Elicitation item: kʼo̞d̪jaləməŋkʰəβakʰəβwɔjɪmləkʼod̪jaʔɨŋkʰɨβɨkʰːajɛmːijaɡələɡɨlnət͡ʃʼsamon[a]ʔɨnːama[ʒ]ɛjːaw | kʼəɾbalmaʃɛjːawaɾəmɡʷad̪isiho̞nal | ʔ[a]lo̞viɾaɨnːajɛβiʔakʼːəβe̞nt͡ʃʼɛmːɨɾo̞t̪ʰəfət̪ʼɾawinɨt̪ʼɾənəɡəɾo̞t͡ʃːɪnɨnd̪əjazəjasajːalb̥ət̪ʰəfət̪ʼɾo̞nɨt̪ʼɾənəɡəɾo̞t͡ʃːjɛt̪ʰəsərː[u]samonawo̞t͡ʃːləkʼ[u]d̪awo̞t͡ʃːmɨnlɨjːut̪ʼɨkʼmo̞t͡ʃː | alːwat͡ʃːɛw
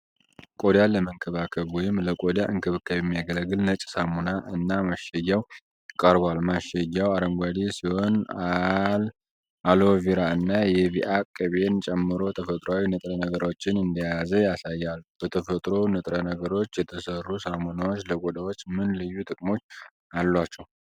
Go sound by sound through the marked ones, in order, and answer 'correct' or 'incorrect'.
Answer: correct, incorrect, correct, correct, incorrect

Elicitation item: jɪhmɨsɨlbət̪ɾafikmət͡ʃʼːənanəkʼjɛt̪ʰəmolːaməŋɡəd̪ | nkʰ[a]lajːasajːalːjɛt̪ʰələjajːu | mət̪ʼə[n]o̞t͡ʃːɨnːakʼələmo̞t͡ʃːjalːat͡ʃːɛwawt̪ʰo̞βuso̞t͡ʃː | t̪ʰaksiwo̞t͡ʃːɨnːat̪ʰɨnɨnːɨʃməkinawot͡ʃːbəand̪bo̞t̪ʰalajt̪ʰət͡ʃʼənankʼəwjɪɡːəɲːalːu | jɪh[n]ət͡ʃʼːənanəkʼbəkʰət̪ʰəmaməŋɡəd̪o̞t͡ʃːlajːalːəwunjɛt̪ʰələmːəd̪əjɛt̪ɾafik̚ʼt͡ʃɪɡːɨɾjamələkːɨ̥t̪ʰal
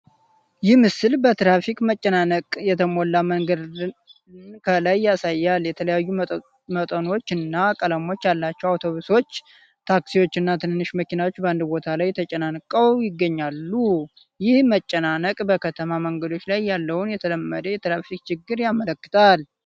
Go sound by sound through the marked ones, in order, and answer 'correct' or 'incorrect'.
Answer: incorrect, correct, incorrect

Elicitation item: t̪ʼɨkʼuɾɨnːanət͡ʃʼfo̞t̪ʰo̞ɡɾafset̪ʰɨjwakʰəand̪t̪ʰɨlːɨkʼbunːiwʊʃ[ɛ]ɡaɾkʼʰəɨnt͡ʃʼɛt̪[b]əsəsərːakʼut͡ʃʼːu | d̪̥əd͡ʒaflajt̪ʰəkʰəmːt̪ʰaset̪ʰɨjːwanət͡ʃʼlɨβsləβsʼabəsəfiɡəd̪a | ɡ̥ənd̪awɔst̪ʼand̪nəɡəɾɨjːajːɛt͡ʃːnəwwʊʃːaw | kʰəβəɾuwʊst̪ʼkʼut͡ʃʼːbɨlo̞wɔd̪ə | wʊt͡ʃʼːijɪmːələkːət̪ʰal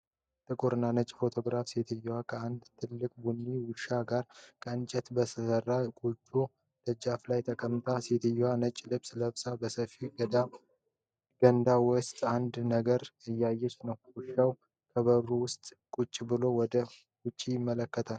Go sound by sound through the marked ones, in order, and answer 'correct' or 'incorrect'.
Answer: incorrect, correct

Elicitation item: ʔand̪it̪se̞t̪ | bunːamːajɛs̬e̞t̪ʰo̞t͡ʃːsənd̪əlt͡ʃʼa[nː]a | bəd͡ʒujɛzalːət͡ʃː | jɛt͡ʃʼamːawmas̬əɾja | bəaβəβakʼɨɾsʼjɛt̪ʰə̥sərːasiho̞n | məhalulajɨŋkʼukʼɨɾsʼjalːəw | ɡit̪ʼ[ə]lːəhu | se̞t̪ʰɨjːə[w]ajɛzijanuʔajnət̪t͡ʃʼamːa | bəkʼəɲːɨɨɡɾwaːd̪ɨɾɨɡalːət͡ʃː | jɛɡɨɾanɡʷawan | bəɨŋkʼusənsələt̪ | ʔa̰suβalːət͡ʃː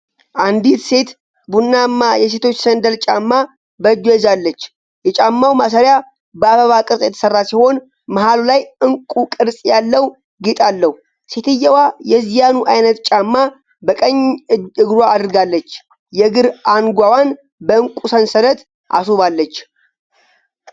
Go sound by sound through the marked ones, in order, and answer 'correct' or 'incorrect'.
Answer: incorrect, incorrect, correct

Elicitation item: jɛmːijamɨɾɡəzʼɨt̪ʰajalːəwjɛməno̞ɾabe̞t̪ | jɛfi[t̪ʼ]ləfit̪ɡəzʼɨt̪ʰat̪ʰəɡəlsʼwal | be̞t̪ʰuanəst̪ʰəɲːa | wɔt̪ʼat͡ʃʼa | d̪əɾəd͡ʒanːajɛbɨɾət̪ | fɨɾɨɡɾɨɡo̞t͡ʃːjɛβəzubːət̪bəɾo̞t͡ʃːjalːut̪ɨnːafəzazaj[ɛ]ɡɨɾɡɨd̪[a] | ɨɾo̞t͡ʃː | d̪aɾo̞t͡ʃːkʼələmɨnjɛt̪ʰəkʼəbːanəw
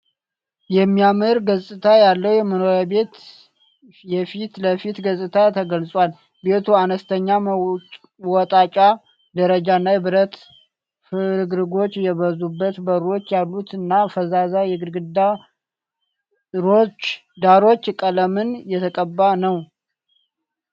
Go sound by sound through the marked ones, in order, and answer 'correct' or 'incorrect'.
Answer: incorrect, correct, correct

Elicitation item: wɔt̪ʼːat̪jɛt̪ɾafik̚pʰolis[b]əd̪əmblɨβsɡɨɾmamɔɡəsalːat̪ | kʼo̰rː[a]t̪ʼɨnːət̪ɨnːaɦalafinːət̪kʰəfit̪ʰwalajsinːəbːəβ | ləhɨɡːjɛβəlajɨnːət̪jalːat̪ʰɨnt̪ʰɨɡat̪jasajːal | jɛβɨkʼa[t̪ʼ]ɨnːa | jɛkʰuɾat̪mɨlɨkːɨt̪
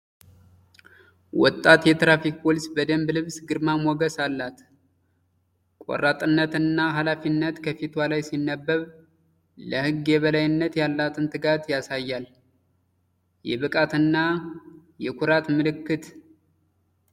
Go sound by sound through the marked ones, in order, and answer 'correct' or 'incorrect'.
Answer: correct, correct, incorrect

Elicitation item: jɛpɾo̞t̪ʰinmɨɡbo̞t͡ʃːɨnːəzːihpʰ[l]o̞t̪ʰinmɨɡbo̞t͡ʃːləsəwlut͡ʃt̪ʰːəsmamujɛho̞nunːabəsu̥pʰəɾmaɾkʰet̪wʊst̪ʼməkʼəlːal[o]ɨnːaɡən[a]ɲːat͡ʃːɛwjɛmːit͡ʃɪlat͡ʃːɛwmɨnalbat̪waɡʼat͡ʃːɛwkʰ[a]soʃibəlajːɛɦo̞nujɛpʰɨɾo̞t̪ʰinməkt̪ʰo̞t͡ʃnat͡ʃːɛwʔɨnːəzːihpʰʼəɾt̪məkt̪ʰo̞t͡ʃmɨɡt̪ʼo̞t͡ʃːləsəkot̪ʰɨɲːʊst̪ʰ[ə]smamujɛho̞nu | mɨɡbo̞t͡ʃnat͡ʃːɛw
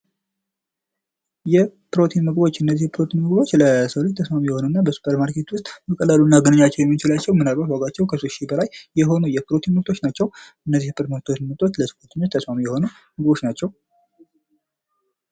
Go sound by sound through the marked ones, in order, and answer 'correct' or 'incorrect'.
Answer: incorrect, incorrect, incorrect, incorrect, correct

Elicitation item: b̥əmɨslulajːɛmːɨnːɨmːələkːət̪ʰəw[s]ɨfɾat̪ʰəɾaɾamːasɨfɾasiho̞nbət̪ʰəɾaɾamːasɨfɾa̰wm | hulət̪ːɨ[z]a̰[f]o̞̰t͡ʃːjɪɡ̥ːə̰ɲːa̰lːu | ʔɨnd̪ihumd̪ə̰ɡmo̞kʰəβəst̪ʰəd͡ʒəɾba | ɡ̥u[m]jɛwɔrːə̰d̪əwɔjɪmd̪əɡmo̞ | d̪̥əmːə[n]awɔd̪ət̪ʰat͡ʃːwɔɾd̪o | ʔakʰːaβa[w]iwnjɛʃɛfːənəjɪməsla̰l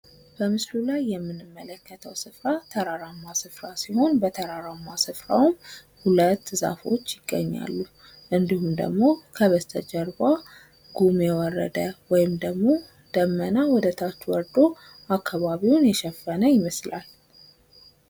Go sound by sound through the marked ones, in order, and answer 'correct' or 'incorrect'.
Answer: correct, correct, correct, correct, correct, incorrect

